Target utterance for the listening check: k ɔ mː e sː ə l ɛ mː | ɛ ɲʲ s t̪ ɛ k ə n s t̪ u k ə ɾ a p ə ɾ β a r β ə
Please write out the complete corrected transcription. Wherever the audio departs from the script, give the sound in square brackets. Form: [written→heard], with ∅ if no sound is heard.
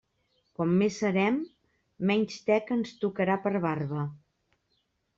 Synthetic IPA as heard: k ɔ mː e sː ə [l→ɾ] ɛ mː | ɛ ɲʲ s t̪ ɛ k ə n s t̪ u k ə ɾ a p ə ɾ β a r β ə